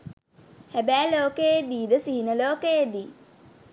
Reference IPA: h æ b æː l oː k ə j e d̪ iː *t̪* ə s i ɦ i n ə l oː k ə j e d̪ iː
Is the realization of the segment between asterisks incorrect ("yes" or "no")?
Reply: yes